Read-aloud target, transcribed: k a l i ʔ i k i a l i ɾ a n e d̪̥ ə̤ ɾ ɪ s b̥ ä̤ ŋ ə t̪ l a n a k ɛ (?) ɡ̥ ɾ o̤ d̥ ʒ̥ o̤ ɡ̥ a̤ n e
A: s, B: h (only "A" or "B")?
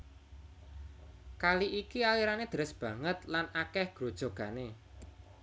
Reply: B